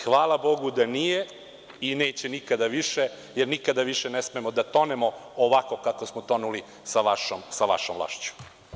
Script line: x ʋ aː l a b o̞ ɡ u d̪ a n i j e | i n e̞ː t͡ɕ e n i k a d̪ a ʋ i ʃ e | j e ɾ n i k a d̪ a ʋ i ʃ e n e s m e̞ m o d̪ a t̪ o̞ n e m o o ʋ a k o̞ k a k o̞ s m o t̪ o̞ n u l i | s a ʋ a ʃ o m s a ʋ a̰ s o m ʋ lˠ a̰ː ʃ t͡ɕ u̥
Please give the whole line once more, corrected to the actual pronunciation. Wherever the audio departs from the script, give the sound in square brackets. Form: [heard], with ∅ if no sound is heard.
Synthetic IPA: x ʋ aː l a b o̞ ɡ u d̪ a n i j e | i n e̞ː t͡ɕ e n i k a d̪ a ʋ i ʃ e | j e ɾ n i k a d̪ a ʋ i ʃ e n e s m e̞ m o d̪ a t̪ o̞ n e m o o ʋ a k o̞ k a k o̞ s m o t̪ o̞ n u l i | s a ʋ a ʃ o m s a ʋ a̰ [ʃ] o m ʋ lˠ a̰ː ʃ t͡ɕ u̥

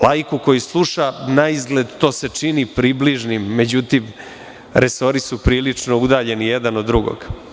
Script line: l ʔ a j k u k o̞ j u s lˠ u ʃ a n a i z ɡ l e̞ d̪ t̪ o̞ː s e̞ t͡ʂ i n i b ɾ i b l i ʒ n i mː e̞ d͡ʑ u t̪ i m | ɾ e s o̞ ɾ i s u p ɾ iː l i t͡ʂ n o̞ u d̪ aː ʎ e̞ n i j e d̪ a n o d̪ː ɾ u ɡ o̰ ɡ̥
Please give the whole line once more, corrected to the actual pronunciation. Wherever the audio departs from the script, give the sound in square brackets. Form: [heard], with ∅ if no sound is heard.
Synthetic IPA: l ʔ a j k u k o̞ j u s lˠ u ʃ a n a i z ɡ l e̞ d̪ t̪ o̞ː s e̞ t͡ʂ i n i [p] ɾ i b l i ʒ n i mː e̞ d͡ʑ u t̪ i m | ɾ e s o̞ ɾ i s u p ɾ iː l i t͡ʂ n o̞ u d̪ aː ʎ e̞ n i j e d̪ a n o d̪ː ɾ u ɡ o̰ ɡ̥

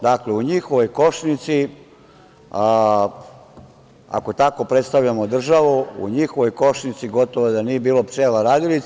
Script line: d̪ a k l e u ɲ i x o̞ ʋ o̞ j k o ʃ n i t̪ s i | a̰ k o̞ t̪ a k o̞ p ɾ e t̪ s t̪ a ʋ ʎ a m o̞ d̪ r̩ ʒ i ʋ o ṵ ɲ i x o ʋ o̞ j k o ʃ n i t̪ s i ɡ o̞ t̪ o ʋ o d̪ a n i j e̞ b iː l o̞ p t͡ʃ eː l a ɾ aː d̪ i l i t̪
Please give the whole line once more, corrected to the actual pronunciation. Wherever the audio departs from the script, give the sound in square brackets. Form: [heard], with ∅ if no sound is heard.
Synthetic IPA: d̪ a k l e u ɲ i x o̞ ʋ o̞ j k o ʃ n i t̪ s i | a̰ k o̞ t̪ a k o̞ p ɾ e t̪ s t̪ a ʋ ʎ a m o̞ d̪ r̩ ʒ [a] ʋ [u] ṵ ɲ i x o ʋ o̞ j k o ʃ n i t̪ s i ɡ o̞ t̪ o ʋ o d̪ a n i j e̞ b iː l o̞ p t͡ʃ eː l a ɾ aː d̪ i l i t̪

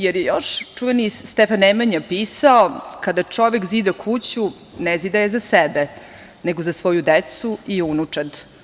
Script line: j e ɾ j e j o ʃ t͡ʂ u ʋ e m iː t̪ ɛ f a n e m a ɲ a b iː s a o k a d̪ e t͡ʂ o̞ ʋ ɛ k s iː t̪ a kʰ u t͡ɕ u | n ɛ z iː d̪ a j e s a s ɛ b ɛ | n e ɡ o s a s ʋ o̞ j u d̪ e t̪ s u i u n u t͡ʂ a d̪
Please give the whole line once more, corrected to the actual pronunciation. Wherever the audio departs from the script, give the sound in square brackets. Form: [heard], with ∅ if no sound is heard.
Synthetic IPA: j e ɾ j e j o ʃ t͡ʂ u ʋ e [n] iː t̪ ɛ f a n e m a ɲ a [p] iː s a o k a d̪ [a] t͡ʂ o̞ ʋ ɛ k [z] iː [d̪] a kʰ u t͡ɕ u | n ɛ z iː d̪ a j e [z] a s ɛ b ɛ | n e ɡ o [z] a s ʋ o̞ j u d̪ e t̪ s u i u n u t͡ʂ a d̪

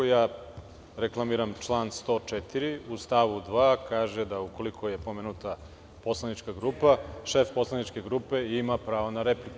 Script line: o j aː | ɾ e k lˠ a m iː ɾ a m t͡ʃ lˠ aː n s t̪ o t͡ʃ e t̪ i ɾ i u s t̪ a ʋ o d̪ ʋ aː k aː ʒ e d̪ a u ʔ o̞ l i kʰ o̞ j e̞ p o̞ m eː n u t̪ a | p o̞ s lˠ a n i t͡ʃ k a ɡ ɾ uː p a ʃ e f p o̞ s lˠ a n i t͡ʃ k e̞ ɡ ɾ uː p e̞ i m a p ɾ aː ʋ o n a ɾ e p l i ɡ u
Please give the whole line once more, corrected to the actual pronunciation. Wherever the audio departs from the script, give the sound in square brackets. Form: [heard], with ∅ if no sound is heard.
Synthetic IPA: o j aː | ɾ e k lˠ a m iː ɾ a m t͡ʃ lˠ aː n s t̪ o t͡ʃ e t̪ i ɾ i u s t̪ a ʋ [u] d̪ ʋ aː k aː ʒ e d̪ a u [k] o̞ l i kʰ o̞ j e̞ p o̞ m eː n u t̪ a | p o̞ s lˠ a n i t͡ʃ k a ɡ ɾ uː p a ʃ e f p o̞ s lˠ a n i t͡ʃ k e̞ ɡ ɾ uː p e̞ i m a p ɾ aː ʋ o n a ɾ e p l i [k] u

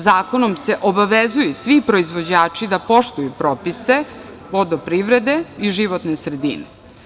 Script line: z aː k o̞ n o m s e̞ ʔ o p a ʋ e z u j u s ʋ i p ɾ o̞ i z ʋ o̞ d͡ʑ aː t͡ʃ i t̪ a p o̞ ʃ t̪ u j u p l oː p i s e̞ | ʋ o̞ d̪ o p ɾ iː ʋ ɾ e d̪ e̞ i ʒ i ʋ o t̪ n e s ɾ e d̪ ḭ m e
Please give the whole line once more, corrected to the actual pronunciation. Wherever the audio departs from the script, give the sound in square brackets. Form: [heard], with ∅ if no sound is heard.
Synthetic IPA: z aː k o̞ n o m s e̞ ʔ o [b] a ʋ e z u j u s ʋ i p ɾ o̞ i z ʋ o̞ d͡ʑ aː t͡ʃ i [d̪] a p o̞ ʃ t̪ u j u p [ɾ] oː p i s e̞ | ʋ o̞ d̪ o p ɾ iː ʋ ɾ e d̪ e̞ i ʒ i ʋ o t̪ n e s ɾ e d̪ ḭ [n] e

